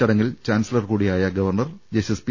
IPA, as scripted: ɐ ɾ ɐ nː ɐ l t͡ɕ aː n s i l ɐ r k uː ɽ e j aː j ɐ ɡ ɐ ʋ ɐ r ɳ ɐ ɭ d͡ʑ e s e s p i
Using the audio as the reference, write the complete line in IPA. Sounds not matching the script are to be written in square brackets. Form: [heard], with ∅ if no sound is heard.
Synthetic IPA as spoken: ɐ [ɽ] ɐ [ŋː] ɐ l t͡ɕ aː n s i l ɐ r k uː ɽ [i] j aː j ɐ ɡ ɐ ʋ ɐ r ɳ ɐ [r] d͡ʑ e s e s p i

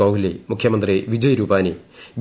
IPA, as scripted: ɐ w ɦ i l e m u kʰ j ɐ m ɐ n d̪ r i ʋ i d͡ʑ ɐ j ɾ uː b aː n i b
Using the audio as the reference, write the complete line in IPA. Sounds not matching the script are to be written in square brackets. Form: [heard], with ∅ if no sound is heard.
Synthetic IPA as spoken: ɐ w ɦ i l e m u kʰ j ɐ m ɐ n d̪ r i ʋ i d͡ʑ ɐ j ɾ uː [p] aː n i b

